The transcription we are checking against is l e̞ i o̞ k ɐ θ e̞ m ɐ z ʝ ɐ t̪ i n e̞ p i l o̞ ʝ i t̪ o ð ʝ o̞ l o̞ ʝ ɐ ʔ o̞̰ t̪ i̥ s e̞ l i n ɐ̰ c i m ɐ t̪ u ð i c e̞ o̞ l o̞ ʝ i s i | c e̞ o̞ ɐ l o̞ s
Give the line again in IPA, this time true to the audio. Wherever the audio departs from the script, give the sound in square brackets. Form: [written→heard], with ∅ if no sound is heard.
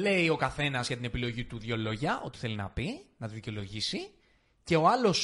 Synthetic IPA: l e̞ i o̞ k ɐ θ e̞ [m→n] ɐ z ʝ ɐ t̪ i n e̞ p i l o̞ ʝ i t̪ [o→u] ð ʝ o̞ l o̞ ʝ ɐ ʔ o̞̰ t̪ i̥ [s→θ] e̞ l i n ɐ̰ [c→p] i [m→n] ɐ t̪ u ð i c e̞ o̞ l o̞ ʝ i s i | c e̞ o̞ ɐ l o̞ s